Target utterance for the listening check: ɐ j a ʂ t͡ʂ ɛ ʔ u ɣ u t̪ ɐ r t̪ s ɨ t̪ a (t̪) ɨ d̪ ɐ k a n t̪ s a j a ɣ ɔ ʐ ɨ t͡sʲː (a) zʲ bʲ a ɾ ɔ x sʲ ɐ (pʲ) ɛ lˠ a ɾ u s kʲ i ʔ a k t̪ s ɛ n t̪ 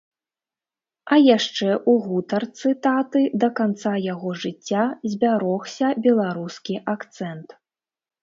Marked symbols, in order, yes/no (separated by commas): yes, yes, no